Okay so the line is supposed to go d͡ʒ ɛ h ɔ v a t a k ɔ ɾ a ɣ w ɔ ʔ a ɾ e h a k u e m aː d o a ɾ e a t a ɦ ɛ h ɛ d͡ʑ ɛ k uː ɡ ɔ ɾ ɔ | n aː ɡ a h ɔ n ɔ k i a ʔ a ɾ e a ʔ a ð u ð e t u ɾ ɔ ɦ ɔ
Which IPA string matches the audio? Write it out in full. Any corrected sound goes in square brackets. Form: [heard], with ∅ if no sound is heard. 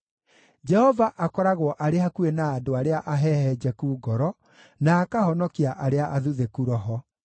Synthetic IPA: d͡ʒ ɛ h ɔ v a [ʔ] a k ɔ ɾ a ɣ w ɔ ʔ a ɾ e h a k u e [n] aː d o a ɾ e a [ʔ] a ɦ ɛ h ɛ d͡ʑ ɛ k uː ɡ ɔ ɾ ɔ | n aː [k] a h ɔ n ɔ k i a ʔ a ɾ e a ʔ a ð u ð e [k] u ɾ ɔ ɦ ɔ